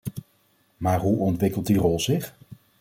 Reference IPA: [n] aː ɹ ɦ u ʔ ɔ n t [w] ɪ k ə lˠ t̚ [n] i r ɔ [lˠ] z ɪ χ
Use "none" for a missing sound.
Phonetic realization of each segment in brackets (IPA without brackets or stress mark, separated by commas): m, ʋ, d, lˠ